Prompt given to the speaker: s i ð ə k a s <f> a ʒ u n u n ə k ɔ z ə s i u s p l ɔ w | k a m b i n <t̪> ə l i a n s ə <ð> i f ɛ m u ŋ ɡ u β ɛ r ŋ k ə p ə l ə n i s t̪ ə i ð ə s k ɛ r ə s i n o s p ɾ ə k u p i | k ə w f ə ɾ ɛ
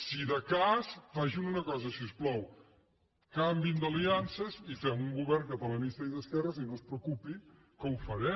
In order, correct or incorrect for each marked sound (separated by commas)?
correct, incorrect, incorrect